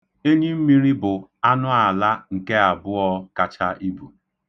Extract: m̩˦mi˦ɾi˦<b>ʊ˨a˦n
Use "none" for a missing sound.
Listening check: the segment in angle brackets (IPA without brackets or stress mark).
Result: b